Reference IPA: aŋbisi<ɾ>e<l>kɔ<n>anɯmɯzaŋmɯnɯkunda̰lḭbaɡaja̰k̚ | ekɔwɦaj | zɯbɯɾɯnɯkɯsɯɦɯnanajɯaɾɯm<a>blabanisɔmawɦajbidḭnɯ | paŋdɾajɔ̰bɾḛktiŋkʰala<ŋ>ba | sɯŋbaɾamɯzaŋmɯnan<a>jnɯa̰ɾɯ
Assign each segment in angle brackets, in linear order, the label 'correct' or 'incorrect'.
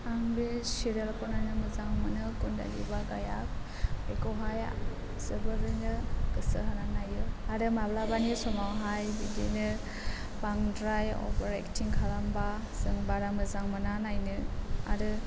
correct, correct, correct, correct, incorrect, correct

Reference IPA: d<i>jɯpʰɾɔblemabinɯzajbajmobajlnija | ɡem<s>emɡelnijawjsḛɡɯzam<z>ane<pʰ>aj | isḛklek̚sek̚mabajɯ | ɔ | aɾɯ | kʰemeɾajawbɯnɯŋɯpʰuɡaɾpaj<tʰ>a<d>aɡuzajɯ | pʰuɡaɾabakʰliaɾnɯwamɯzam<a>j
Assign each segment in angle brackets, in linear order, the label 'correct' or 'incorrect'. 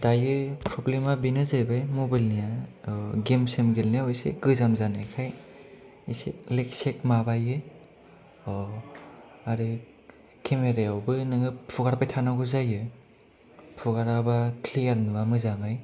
incorrect, correct, correct, incorrect, correct, incorrect, correct

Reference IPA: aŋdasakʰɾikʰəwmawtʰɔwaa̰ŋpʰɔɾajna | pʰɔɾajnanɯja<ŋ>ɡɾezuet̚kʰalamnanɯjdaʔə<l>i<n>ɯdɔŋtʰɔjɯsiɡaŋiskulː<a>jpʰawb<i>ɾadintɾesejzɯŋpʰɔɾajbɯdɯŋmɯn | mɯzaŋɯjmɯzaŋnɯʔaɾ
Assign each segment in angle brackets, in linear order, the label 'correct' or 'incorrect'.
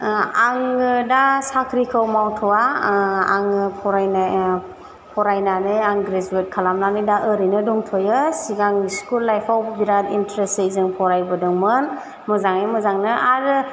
correct, incorrect, correct, correct, correct

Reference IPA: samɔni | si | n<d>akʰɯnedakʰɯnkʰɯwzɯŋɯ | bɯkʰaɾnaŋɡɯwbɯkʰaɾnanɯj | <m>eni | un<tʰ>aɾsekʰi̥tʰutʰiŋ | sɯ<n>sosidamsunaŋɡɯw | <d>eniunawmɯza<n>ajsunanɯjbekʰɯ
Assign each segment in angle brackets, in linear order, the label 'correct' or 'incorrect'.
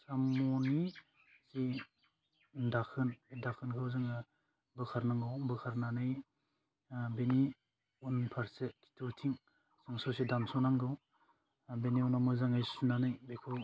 correct, incorrect, incorrect, incorrect, incorrect, incorrect

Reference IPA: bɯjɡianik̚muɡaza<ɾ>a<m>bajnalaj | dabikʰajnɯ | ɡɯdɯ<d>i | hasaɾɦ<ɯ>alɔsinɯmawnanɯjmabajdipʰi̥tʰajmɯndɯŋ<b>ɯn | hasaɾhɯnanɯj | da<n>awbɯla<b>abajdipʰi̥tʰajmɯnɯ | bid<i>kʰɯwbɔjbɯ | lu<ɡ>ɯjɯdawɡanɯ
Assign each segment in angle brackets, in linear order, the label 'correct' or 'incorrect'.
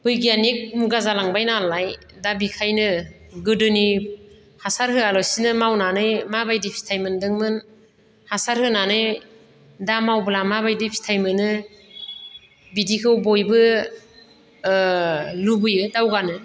incorrect, incorrect, incorrect, correct, incorrect, incorrect, incorrect, correct, incorrect

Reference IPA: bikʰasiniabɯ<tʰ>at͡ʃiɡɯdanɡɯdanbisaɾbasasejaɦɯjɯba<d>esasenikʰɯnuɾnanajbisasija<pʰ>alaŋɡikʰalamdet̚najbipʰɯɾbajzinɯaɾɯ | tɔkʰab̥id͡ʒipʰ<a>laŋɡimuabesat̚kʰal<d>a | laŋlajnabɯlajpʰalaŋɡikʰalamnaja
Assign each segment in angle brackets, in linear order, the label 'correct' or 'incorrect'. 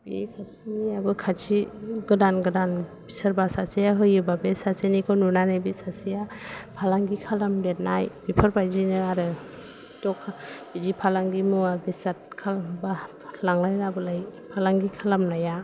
incorrect, incorrect, correct, correct, incorrect

